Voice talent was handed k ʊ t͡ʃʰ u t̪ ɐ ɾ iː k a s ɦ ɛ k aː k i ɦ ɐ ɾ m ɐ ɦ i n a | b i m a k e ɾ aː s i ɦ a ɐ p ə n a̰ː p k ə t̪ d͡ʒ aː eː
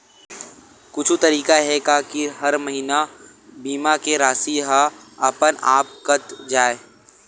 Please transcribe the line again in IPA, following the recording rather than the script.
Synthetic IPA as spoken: k ʊ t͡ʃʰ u t̪ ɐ ɾ iː k a ɦ ɛ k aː k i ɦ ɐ ɾ m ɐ ɦ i n a | b iː m a k e ɾ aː s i ɦ a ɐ p ə n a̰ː p k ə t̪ d͡ʒ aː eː